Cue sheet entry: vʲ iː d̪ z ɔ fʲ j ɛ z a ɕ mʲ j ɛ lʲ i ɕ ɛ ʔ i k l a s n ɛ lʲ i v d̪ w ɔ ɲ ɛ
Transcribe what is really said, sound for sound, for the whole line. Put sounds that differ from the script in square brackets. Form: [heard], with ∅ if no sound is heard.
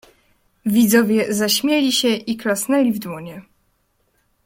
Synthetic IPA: vʲ [i] d̪ z ɔ [vʲ] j ɛ z a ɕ mʲ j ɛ lʲ i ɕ ɛ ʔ i k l a s n ɛ lʲ i v d̪ w ɔ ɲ ɛ